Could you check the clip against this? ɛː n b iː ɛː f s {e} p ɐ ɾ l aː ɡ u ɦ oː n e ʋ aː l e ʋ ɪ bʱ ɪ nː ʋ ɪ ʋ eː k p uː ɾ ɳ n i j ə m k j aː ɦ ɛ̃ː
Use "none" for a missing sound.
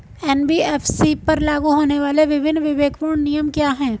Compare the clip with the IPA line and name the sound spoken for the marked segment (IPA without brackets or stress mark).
i